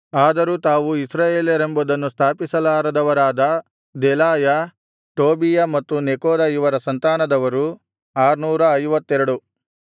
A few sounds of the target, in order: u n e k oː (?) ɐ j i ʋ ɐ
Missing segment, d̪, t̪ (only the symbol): d̪